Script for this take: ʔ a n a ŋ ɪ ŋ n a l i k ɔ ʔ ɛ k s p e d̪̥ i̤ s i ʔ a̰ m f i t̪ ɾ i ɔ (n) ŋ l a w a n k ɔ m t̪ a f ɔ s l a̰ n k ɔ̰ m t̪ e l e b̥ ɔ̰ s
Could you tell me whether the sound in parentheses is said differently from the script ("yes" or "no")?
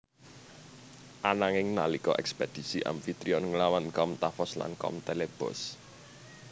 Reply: no